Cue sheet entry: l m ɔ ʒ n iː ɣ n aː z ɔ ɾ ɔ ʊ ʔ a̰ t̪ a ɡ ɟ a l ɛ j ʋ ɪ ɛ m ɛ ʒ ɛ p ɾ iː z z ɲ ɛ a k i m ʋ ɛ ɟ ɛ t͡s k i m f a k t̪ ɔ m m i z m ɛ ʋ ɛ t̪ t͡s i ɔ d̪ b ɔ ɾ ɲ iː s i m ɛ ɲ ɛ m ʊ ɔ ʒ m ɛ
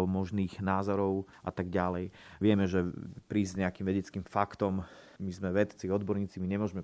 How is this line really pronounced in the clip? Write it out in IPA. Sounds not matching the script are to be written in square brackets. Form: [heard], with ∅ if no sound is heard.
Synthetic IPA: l m ɔ ʒ n iː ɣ n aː z ɔ ɾ ɔ ʊ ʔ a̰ t̪ a ɡ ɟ a l ɛ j ʋ ɪ ɛ m ɛ ʒ ɛ p ɾ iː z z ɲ ɛ a k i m ʋ ɛ ɟ ɛ t͡s k i m f a k t̪ ɔ m m i z m ɛ ʋ ɛ t̪ t͡s i ɔ d̪ b ɔ ɾ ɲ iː [t͡s] i m [i] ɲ ɛ m ʊ ɔ ʒ m ɛ